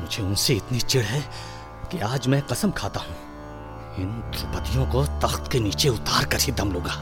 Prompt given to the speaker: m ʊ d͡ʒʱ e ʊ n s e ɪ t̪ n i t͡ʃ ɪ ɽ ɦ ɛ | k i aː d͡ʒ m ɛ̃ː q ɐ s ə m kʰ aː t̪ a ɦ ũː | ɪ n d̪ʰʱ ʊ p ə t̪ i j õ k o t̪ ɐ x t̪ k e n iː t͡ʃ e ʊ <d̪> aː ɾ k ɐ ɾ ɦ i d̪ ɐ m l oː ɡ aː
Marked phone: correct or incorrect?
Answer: incorrect